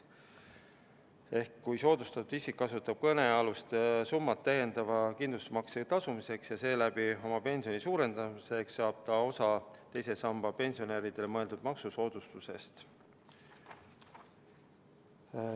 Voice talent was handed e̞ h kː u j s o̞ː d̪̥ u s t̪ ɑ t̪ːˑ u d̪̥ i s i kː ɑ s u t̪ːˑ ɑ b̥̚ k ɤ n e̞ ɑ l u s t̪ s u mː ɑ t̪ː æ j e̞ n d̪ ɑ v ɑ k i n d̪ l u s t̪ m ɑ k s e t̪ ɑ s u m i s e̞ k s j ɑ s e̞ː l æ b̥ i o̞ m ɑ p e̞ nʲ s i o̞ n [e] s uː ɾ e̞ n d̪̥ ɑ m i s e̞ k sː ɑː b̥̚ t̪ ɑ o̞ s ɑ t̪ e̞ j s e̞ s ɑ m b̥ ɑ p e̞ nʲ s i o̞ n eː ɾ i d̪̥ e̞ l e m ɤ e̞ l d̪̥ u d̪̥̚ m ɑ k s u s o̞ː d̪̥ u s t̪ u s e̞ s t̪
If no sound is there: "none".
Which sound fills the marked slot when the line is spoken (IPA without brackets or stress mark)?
i